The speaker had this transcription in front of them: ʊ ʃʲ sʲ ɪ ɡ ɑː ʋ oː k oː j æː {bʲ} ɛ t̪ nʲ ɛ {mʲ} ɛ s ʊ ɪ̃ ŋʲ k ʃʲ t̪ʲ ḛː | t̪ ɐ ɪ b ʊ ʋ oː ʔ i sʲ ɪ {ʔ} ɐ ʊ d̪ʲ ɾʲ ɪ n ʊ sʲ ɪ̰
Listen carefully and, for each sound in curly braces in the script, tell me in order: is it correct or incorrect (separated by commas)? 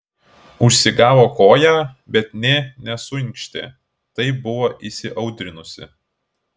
correct, incorrect, correct